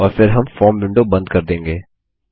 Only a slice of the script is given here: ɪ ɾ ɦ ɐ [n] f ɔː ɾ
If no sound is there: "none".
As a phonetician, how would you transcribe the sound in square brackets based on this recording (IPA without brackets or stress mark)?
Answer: m